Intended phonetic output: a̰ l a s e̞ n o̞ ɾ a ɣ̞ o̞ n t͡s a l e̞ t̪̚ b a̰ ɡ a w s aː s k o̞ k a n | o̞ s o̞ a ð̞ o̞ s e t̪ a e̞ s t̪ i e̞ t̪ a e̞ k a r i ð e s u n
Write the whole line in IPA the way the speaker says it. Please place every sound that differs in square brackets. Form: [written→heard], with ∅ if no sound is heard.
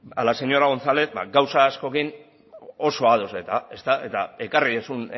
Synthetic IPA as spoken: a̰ l a s e̞ [n→ɲ] o̞ ɾ a ɣ̞ o̞ n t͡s a l e̞ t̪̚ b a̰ ɡ a w s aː s k o̞ k [a→i] n | o̞ s o̞ a ð̞ o̞ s e t̪ a e̞ s t̪ [i→a] e̞ t̪ a e̞ k a r i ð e s u n